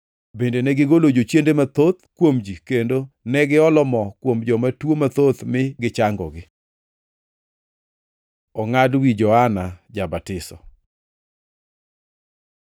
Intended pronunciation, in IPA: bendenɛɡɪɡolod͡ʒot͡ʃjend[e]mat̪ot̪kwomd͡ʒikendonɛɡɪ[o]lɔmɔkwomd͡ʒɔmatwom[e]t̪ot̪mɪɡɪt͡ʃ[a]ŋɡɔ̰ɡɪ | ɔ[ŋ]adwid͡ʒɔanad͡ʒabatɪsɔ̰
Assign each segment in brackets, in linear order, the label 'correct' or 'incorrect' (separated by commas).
correct, incorrect, incorrect, correct, correct